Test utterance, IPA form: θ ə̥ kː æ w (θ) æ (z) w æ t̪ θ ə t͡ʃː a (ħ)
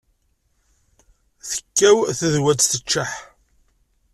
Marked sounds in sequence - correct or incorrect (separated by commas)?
correct, incorrect, correct